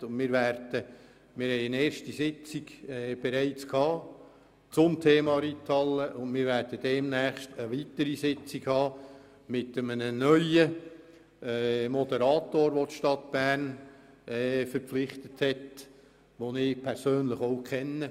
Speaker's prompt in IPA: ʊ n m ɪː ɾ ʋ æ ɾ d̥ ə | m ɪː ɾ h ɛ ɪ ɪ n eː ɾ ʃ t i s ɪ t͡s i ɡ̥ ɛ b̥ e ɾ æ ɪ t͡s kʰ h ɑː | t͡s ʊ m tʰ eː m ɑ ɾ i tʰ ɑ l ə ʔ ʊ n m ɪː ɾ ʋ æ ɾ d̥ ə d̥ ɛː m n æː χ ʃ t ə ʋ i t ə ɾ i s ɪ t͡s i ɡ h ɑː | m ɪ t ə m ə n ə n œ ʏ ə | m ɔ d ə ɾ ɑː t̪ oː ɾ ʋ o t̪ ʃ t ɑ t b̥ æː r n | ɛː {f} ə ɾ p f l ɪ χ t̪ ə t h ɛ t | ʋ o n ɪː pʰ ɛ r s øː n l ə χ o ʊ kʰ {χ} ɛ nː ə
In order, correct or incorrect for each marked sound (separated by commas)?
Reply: correct, correct